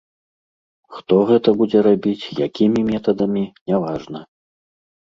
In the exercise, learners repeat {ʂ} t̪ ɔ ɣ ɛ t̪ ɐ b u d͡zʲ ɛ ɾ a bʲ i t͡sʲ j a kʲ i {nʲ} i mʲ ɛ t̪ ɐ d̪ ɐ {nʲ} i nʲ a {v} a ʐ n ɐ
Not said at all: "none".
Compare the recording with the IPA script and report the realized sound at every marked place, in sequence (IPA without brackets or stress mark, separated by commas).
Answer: x, mʲ, mʲ, v